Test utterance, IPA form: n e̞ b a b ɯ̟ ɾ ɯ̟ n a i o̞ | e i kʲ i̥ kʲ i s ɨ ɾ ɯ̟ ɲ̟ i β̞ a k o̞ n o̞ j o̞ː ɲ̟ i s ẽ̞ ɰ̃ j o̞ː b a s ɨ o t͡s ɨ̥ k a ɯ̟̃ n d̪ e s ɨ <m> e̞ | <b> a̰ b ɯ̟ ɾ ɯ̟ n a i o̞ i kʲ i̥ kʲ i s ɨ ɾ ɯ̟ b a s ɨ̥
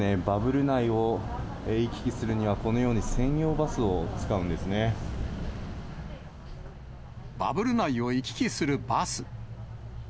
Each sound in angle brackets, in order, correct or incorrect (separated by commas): incorrect, correct